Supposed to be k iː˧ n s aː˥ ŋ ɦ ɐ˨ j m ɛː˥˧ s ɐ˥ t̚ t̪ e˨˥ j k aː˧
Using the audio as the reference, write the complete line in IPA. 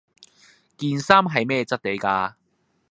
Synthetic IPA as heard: k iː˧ n s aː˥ m ɦ ɐ˨ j m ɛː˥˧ t͡s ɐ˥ t̚ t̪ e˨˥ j k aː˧